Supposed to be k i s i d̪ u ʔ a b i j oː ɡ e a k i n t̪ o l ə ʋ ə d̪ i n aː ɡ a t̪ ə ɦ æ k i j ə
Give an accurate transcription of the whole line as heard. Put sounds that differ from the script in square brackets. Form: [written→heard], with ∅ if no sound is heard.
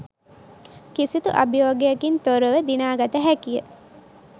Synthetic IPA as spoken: k i s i [d̪→t̪] u ʔ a b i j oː ɡ e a k i n t̪ o [l→ɾ] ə ʋ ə d̪ i n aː ɡ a t̪ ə ɦ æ k i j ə